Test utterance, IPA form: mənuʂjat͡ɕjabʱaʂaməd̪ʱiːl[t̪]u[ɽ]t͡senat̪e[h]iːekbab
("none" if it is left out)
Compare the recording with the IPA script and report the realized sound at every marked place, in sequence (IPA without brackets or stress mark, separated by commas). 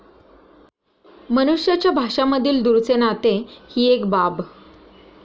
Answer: d̪, ɾ, h